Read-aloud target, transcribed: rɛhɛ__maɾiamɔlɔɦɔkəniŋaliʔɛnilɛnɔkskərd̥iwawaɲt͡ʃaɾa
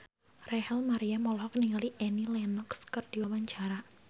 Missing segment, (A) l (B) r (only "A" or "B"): A